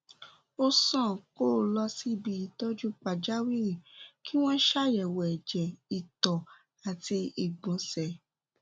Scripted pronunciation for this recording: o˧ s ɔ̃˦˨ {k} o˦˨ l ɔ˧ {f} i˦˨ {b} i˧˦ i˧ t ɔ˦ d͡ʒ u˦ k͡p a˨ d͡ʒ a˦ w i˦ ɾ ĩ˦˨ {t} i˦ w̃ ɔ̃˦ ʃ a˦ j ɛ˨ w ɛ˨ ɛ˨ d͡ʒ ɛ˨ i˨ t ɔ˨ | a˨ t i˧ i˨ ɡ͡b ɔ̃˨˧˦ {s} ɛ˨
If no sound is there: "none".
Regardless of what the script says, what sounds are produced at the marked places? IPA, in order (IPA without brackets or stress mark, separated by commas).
k, s, b, k, s